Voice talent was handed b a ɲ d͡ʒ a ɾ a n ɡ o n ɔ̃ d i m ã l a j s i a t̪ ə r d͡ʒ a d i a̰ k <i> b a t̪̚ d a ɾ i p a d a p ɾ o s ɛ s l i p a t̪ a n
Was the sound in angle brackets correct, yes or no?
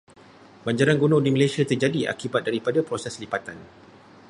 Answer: yes